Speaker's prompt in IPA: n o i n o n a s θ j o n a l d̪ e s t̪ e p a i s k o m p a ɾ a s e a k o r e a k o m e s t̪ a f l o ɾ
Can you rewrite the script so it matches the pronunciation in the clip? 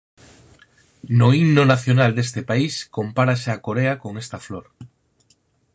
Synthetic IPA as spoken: n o i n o n a θ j o n a l d̪ e s t̪ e p a i s k o m p a ɾ a s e a k o ɾ e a k o ŋ e s t̪ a f l o ɾ